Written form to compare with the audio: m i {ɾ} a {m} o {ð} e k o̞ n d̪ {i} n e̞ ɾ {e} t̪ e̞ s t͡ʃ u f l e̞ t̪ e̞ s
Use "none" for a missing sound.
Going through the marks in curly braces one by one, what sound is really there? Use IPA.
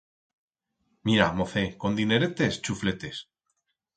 ɾ, m, θ, i, e

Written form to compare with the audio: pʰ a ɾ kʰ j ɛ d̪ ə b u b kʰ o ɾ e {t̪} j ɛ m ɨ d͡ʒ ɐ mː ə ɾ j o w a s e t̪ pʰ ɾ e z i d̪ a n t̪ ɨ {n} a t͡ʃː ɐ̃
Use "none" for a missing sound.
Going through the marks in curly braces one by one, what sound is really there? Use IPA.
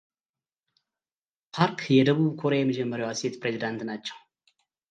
none, n

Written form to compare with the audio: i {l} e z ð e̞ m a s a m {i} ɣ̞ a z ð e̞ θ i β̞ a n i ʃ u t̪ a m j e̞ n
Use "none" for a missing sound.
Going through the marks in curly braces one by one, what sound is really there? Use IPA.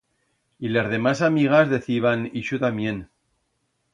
l, i

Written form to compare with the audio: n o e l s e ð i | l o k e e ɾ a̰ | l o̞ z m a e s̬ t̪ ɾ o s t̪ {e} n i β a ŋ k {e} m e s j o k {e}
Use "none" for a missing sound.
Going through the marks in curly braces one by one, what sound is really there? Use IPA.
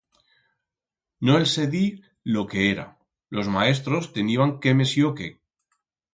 e, e, e

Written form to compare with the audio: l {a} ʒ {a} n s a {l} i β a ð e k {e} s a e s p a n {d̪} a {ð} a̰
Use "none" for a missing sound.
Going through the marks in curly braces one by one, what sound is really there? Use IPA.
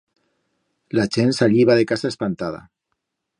a, e, ʎ, a, t̪, ð

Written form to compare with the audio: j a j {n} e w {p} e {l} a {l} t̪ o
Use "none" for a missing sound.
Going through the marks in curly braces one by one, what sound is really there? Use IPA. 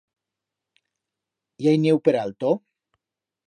n, p, ɾ, l

